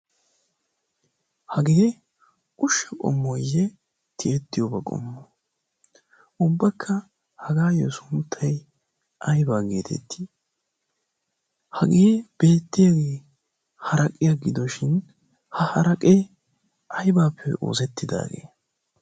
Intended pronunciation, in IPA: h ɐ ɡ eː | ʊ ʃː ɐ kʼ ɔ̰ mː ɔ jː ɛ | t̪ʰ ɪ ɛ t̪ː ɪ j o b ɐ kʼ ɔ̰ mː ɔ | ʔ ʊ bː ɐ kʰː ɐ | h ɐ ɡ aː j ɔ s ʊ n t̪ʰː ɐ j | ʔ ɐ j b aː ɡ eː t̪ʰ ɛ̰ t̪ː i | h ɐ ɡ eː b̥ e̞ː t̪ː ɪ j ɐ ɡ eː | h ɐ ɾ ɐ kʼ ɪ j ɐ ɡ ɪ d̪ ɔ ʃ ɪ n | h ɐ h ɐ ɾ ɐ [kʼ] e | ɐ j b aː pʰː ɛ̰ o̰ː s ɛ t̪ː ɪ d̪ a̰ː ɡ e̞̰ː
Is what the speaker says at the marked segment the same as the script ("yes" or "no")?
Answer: yes